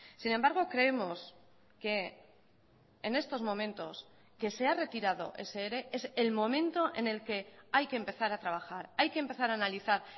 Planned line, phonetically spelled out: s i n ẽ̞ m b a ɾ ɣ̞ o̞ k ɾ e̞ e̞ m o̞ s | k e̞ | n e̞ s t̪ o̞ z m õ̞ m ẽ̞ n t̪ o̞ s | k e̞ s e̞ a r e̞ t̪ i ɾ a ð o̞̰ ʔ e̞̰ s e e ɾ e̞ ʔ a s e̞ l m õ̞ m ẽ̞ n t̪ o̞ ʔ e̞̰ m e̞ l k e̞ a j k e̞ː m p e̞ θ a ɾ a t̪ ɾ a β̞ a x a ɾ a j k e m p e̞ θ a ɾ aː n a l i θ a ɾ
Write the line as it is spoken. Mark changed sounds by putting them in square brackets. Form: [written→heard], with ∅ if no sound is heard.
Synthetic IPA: s i n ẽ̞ m b a ɾ ɣ̞ o̞ k ɾ e̞ e̞ m o̞ s | k e̞ | n e̞ s t̪ o̞ z m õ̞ m ẽ̞ n t̪ o̞ s | k e̞ s e̞ a r e̞ t̪ i ɾ a ð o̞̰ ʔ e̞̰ s e e ɾ e̞ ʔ [a→e] s e̞ l m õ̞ m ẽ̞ n t̪ o̞ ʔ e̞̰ [m→n] e̞ l k e̞ a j k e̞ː m p e̞ θ a ɾ a t̪ ɾ a β̞ a x a ɾ a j k e m p e̞ θ a ɾ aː n a l i θ a ɾ